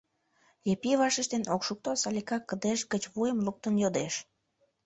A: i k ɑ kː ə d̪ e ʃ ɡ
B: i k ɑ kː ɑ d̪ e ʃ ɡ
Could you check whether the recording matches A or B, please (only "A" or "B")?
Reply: A